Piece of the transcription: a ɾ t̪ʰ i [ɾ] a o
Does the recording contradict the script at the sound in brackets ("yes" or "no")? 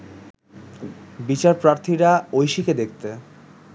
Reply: no